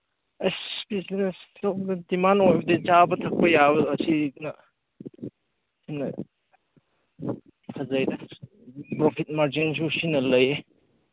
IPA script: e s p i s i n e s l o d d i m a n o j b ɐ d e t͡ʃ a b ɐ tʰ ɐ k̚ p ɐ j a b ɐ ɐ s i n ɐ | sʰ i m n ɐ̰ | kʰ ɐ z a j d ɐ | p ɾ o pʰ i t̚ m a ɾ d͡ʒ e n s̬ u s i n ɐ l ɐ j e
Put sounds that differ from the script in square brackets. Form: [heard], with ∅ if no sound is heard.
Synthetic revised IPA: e s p i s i n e s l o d d i m a n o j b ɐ d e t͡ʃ a b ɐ tʰ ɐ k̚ p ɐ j a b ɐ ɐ s i n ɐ | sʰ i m n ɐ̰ | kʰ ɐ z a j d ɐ | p ɾ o pʰ i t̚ m a ɾ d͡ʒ [i] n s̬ u s i n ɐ l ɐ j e